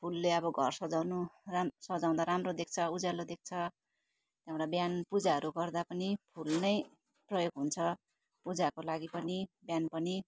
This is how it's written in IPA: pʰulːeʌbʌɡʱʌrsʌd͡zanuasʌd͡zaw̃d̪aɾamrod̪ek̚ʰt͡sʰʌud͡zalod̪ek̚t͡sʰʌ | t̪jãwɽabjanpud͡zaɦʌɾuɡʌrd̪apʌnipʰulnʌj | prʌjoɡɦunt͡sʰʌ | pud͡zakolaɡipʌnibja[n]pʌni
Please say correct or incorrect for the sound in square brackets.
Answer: correct